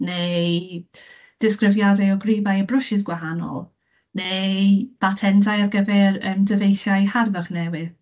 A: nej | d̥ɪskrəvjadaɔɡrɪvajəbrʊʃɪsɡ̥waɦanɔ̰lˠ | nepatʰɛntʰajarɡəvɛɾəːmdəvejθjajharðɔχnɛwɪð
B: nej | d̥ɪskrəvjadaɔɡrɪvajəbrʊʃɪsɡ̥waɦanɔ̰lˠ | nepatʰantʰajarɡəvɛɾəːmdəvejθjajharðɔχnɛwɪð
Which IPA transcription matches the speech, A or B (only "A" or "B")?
A